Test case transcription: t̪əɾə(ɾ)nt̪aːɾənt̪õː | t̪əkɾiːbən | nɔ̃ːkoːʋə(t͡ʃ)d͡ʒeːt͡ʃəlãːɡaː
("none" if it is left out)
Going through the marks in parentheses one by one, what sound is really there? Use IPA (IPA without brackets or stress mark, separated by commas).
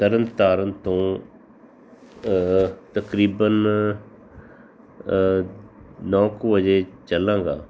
none, none